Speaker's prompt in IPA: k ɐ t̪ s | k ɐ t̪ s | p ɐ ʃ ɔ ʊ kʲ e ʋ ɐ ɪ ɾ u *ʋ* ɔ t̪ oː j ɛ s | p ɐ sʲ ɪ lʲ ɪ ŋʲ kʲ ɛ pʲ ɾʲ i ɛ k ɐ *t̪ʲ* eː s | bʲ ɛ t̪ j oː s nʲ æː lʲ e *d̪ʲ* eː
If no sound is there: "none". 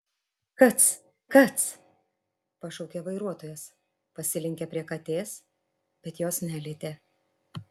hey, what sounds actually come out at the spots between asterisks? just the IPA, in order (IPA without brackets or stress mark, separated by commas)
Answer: none, t̪ʲ, t̪ʲ